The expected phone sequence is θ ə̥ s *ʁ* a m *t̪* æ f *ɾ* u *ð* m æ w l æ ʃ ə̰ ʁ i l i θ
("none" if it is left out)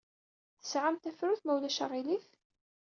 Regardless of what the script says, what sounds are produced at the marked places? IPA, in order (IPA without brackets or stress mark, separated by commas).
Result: ʕ, t̪, ɾ, θ